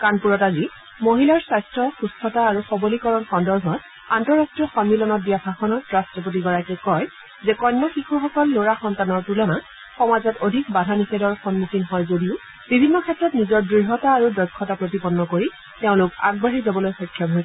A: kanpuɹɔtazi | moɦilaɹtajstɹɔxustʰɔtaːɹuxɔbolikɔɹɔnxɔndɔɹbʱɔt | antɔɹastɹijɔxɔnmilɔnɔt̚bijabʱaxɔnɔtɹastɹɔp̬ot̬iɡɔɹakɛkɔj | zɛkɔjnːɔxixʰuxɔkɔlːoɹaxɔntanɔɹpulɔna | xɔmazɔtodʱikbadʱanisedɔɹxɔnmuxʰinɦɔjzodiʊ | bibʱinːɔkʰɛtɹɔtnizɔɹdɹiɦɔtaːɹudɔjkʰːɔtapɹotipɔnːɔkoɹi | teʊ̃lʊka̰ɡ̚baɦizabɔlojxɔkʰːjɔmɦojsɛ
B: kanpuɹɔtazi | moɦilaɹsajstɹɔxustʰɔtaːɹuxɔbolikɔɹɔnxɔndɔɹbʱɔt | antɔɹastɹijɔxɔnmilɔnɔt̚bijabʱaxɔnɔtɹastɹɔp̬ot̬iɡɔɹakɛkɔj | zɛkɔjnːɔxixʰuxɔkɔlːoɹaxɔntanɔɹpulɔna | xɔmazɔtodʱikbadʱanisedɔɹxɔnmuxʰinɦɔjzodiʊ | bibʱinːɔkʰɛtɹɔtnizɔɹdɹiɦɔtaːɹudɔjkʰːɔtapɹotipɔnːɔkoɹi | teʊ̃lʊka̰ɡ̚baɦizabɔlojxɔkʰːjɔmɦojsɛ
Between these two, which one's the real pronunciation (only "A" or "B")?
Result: B